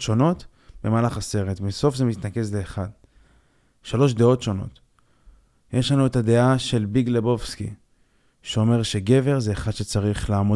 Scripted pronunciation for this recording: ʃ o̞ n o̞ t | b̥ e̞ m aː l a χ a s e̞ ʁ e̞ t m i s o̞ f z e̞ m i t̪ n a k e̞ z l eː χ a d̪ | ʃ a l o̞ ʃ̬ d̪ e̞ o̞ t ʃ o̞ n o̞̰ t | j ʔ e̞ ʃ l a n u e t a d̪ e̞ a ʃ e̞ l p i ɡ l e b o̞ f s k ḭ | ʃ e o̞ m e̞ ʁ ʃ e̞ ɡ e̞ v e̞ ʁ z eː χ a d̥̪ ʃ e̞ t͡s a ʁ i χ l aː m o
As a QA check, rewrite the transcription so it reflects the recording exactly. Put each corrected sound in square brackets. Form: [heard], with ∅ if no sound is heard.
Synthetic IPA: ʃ o̞ n o̞ t | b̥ e̞ m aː l a χ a s e̞ ʁ e̞ t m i s o̞ f z e̞ m i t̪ n a k e̞ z l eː χ a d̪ | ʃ a l o̞ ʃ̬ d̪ e̞ o̞ t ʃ o̞ n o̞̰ t | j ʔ e̞ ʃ l a n u e t a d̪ e̞ a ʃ e̞ l [b] i ɡ l e b o̞ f s k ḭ | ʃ e o̞ m e̞ ʁ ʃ e̞ ɡ e̞ v e̞ ʁ z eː χ a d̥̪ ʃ e̞ t͡s a ʁ i χ l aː m o